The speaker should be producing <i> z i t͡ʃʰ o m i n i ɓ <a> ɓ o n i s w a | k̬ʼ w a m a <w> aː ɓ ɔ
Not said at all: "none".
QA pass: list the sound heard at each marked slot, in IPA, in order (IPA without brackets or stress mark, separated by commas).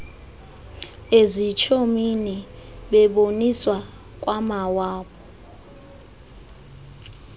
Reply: e, ɛ, w